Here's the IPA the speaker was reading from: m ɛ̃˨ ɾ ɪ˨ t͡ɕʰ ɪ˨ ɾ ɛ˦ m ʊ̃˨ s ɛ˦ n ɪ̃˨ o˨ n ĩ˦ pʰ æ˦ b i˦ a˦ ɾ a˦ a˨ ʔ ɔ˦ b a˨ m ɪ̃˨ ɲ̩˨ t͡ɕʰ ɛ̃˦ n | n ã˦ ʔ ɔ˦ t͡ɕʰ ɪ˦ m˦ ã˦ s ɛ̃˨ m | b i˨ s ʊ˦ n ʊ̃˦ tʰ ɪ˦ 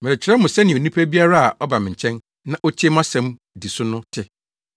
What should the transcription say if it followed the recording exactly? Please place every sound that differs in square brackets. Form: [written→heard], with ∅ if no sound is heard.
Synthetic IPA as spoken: m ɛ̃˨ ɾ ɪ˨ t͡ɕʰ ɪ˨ ɾ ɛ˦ m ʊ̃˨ s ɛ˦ n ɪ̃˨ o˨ n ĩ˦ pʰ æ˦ b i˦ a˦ ɾ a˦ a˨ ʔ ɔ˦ b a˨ m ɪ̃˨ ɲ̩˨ t͡ɕʰ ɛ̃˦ n | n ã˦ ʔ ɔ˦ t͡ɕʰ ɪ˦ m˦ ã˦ s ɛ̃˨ m | [b→d] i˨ s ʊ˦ n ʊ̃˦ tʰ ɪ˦